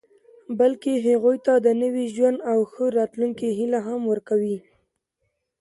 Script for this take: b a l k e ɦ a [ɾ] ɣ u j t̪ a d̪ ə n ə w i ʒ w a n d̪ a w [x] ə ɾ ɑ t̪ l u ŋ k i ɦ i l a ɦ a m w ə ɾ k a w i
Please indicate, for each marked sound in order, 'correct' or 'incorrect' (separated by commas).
incorrect, correct